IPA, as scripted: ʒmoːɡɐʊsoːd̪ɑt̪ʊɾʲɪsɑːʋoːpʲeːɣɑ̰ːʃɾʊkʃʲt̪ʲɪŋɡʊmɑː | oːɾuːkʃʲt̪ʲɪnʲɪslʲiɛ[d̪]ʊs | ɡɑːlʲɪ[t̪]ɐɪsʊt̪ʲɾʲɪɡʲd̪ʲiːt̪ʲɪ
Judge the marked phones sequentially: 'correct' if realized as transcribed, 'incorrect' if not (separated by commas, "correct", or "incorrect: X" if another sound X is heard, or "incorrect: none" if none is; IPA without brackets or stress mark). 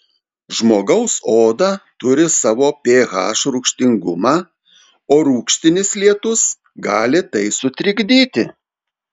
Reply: incorrect: t̪, correct